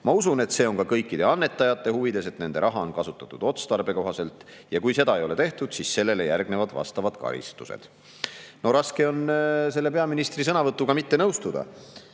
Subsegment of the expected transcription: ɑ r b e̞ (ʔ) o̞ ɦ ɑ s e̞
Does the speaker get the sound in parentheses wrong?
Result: yes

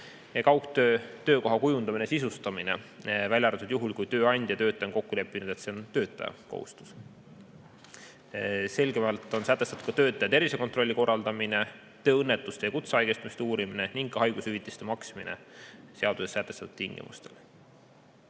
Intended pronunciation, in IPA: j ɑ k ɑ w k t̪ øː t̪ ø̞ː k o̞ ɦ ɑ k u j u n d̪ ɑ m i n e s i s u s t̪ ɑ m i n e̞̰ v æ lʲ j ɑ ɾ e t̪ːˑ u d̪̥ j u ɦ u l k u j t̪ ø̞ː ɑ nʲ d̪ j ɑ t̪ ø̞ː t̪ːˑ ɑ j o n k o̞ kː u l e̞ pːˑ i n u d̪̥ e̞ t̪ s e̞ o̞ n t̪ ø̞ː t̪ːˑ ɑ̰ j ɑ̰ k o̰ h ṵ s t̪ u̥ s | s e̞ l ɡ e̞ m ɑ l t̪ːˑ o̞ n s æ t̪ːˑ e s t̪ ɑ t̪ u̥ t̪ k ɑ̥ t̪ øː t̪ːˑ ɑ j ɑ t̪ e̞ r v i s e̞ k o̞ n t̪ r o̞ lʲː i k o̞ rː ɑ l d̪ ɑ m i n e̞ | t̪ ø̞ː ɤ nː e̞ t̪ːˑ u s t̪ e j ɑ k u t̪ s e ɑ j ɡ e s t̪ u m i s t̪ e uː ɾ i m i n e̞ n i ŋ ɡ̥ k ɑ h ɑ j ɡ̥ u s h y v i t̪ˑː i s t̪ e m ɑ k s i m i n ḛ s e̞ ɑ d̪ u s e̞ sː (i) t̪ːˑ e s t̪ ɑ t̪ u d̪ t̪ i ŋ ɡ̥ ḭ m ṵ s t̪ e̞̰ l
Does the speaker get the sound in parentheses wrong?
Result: yes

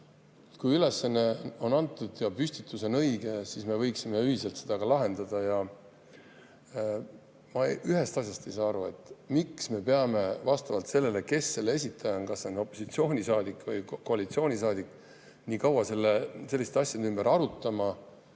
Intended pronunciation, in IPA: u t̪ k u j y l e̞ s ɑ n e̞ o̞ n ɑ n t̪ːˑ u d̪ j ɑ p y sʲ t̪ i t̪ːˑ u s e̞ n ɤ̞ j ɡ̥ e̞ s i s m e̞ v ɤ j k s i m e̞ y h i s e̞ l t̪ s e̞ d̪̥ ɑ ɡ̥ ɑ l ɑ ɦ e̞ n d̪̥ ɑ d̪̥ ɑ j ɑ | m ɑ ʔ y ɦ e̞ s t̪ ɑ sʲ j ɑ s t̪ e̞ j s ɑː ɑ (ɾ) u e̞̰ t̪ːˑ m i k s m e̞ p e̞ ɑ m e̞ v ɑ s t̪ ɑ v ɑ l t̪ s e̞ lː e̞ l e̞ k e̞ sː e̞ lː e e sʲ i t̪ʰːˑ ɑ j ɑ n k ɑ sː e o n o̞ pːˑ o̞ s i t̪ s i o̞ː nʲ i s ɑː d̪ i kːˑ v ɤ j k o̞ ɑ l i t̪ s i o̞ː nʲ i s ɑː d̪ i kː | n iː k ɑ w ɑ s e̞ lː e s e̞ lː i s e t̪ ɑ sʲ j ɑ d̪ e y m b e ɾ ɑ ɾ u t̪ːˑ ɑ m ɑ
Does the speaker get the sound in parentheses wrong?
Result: no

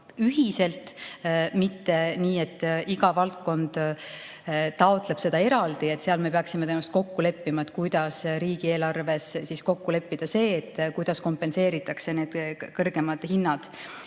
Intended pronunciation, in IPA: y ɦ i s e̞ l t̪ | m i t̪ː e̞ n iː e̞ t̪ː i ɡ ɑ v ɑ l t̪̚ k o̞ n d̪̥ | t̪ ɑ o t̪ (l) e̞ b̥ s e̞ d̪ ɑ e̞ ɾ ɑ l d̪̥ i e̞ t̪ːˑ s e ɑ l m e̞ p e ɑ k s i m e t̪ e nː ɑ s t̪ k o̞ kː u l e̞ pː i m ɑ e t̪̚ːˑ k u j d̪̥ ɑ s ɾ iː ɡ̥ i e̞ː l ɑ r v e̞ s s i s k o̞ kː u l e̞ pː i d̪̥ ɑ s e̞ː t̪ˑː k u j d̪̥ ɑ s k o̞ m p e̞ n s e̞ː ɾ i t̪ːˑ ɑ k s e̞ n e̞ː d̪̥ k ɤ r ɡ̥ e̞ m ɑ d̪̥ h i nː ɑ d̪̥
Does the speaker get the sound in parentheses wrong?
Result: no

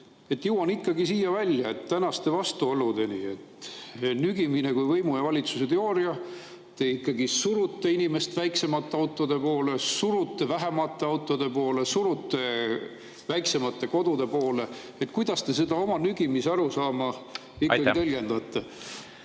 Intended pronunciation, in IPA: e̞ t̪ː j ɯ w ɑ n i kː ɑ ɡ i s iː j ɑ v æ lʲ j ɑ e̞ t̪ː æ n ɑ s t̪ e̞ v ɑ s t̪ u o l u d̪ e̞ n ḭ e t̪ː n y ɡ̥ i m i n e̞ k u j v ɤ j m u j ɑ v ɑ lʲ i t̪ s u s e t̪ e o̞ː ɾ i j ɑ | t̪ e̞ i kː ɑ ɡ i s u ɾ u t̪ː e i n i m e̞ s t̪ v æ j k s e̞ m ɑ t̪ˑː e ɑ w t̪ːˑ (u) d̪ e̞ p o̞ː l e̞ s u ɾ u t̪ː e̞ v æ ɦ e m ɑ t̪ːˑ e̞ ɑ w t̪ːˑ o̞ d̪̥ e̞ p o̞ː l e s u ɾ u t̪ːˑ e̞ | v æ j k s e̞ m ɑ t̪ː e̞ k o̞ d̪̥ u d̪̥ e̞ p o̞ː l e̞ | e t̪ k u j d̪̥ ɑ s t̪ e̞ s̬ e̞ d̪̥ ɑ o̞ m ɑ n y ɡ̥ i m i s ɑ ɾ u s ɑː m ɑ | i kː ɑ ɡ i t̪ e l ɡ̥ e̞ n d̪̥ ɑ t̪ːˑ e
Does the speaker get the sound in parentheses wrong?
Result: yes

